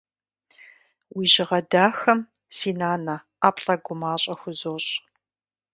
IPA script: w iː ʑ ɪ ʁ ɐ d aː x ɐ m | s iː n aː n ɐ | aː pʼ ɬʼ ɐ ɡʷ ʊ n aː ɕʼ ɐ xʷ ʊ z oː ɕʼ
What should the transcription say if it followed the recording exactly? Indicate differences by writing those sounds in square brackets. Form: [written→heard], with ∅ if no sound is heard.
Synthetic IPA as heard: w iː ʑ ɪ ʁ ɐ d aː x ɐ m | s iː n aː n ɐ | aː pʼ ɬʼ ɐ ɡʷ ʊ [n→m] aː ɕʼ ɐ xʷ ʊ z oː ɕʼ